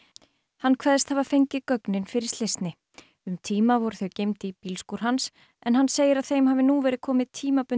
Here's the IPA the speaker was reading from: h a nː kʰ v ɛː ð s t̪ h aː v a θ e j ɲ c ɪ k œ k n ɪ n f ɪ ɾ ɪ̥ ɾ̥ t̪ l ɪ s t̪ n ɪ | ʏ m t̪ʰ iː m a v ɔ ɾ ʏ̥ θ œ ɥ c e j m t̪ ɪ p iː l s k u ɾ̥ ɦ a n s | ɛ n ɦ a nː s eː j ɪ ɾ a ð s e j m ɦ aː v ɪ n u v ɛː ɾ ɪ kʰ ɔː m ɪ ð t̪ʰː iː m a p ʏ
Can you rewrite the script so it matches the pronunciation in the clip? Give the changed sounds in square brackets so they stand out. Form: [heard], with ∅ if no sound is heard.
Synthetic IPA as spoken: h a nː kʰ v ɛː ð s t̪ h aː v a [f] e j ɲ c ɪ k œ k n ɪ n f ɪ ɾ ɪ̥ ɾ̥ t̪ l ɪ s t̪ n ɪ | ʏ m t̪ʰ iː m a v ɔ ɾ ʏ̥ θ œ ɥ c e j m t̪ ɪ p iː l s k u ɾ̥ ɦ a n s | ɛ n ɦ a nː s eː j ɪ ɾ a ð [θ] e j m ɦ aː v ɪ n u v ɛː ɾ ɪ kʰ ɔː m ɪ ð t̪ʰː iː m a p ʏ

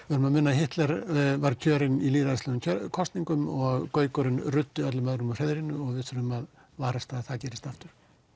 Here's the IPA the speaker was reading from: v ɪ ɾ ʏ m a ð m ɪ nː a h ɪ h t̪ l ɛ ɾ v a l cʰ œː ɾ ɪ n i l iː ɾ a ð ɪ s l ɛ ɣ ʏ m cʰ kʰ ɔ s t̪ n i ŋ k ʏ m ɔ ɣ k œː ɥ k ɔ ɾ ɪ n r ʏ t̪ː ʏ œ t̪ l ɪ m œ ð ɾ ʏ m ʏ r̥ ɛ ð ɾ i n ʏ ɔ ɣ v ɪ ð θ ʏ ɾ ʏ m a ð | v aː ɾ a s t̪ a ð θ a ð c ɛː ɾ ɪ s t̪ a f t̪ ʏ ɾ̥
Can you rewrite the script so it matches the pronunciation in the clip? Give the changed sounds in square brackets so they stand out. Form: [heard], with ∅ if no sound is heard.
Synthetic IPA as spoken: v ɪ ɾ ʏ m a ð m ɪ nː a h ɪ h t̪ l ɛ ɾ v a [ɾ] cʰ œː ɾ ɪ n i l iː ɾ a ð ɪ s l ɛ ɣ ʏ m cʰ kʰ ɔ s t̪ n i ŋ k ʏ m ɔ ɣ k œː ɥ k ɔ ɾ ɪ n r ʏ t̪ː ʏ œ t̪ l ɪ m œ ð ɾ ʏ m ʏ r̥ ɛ ð ɾ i n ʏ ɔ ɣ v ɪ ð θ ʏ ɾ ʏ m a ð | v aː ɾ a s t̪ a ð θ a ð c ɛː ɾ ɪ s t̪ a f t̪ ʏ ɾ̥

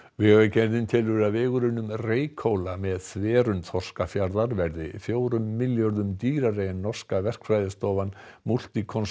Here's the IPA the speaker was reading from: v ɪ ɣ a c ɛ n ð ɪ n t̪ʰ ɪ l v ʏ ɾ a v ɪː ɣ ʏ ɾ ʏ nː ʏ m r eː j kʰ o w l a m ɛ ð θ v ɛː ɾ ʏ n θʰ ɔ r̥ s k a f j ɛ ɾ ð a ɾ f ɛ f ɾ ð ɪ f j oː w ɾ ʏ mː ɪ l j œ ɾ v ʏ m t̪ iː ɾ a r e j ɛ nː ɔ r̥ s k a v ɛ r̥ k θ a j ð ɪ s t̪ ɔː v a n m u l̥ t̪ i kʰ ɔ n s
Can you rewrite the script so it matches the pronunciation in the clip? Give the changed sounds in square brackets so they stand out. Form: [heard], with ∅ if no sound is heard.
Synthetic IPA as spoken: v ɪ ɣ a c ɛ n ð ɪ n t̪ʰ ɪ l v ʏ ɾ a v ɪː ɣ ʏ ɾ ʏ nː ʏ m r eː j kʰ o w l a m ɛ ð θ v ɛː ɾ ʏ n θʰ ɔ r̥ s k a f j [a] ɾ ð a ɾ [v] ɛ [∅] ɾ ð ɪ f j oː w ɾ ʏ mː ɪ l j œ ɾ [ð] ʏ m t̪ iː ɾ a r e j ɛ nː ɔ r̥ s k a v ɛ r̥ k [f] a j ð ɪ s t̪ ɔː v a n m u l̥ t̪ i kʰ ɔ n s

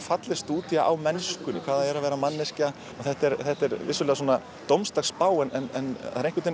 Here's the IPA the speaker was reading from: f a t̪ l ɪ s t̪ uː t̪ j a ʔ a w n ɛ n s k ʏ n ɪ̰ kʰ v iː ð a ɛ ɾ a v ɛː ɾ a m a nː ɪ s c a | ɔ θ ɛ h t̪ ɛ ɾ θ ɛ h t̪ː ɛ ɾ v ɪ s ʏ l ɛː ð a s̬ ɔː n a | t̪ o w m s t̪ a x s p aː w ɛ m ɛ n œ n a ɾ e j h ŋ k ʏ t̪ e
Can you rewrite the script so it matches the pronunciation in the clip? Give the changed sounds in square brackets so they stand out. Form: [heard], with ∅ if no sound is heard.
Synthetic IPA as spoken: f a t̪ l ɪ s t̪ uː t̪ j a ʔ a w [m] ɛ n s k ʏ n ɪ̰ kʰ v [aː] ð a ɛ ɾ a v ɛː ɾ a m a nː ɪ s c a | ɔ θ ɛ h t̪ ɛ ɾ θ ɛ h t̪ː ɛ ɾ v ɪ s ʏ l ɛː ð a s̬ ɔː n a | t̪ o w m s t̪ a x s p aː w ɛ [n] ɛ n [ɛ] n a ɾ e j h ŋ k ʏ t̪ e

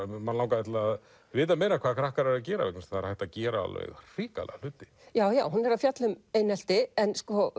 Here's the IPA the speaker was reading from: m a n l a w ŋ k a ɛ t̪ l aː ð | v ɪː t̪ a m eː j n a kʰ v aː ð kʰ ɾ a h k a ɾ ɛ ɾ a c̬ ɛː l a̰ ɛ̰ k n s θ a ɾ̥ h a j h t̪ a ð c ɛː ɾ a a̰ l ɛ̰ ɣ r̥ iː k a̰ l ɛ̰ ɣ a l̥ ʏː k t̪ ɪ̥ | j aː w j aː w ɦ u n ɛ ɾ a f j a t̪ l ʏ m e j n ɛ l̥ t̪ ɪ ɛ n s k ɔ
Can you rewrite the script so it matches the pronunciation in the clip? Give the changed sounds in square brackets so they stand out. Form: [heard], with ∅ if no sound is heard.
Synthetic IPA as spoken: m a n l a w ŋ k a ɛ t̪ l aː ð | v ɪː t̪ a m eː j n a kʰ v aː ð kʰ ɾ a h k a ɾ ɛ ɾ a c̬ ɛː [ɾ] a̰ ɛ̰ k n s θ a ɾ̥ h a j h t̪ a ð c ɛː ɾ a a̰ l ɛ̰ ɣ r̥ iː k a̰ l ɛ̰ ɣ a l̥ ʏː [∅] t̪ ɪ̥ | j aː w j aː w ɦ u n ɛ ɾ a f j a t̪ l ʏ m e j n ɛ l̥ t̪ ɪ ɛ n s k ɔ

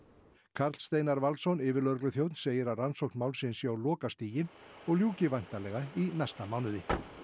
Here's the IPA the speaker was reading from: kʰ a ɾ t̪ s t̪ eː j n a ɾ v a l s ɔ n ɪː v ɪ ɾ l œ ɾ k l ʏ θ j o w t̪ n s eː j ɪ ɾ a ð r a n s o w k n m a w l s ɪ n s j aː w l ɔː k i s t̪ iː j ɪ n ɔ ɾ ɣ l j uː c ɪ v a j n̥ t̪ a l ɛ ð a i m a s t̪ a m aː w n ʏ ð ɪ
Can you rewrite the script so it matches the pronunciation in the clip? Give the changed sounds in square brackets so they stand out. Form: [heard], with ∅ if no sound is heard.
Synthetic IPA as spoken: kʰ a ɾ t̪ s t̪ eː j n a ɾ v a l s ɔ n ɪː v ɪ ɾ l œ ɾ k l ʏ θ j o w t̪ n s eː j ɪ ɾ a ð r a n s o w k n m a w l s ɪ n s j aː w l ɔː k [a] s t̪ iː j ɪ n ɔ [∅] ɣ l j uː c ɪ v a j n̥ t̪ a l ɛ [ɣ] a i [n] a s t̪ a m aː w n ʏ ð ɪ

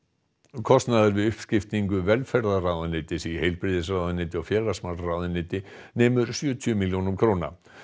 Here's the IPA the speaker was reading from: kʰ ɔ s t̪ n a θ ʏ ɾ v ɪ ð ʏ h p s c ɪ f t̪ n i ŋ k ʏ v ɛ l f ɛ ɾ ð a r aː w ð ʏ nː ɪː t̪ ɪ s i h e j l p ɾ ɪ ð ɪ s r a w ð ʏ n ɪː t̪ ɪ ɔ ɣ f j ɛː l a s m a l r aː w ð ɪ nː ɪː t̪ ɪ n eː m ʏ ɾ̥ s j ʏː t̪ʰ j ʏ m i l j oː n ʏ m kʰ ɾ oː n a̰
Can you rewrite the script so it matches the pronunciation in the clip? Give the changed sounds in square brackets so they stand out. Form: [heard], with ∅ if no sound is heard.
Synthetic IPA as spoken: kʰ ɔ s t̪ n a [ð] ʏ ɾ v ɪ ð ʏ h p s c ɪ f t̪ n i ŋ k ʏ v ɛ l f ɛ ɾ ð a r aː w ð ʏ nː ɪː t̪ ɪ s i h e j l p ɾ ɪ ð ɪ s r a w ð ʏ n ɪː t̪ ɪ ɔ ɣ f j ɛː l a s m a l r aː w ð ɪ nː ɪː t̪ ɪ n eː m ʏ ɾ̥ s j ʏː t̪ʰ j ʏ m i l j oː n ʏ m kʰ ɾ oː n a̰

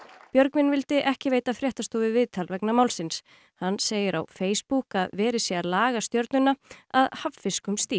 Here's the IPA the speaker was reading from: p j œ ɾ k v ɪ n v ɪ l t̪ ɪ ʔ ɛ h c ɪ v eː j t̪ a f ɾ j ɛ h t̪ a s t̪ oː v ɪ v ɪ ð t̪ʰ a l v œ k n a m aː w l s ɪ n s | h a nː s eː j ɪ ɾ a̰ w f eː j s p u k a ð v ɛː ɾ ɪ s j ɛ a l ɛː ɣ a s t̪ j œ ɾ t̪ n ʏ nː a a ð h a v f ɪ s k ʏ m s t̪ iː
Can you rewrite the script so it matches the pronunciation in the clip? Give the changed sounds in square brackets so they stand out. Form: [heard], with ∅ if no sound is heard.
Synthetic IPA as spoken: p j œ ɾ k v ɪ n v ɪ l t̪ ɪ ʔ ɛ h c ɪ v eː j t̪ a f ɾ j ɛ h t̪ a s t̪ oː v ɪ v ɪ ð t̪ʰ a l v [ɛ] k n a m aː w l s ɪ n s | h a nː s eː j ɪ ɾ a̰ w f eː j s p u k a ð v ɛː ɾ ɪ s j ɛ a l [aː] ɣ a s t̪ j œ ɾ t̪ n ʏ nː a a ð h a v f ɪ s k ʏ m s t̪ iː

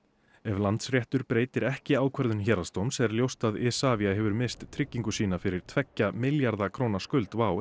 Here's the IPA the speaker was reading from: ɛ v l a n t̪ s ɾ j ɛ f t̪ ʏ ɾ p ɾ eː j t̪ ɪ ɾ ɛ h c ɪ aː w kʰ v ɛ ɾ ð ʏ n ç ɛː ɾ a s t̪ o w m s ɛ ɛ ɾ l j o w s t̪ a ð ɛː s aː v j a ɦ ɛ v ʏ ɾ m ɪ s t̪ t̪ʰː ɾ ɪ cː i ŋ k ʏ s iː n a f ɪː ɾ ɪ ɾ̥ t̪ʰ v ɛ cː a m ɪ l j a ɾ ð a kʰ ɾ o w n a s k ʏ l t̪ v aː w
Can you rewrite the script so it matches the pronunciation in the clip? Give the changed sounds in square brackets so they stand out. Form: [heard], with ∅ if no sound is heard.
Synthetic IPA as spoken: ɛ v l a n t̪ s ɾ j ɛ [h] t̪ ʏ ɾ p ɾ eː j t̪ ɪ ɾ ɛ h c ɪ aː w kʰ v ɛ ɾ ð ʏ n ç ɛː ɾ a s t̪ o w m s ɛ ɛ ɾ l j o w s t̪ a ð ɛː s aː v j a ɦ ɛ v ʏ ɾ m ɪ s t̪ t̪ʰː ɾ ɪ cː i ŋ k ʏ s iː n a f [ɪ] ɾ ɪ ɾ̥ t̪ʰ v ɛ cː a m ɪ l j a ɾ ð a kʰ ɾ o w n a s k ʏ l t̪ v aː w

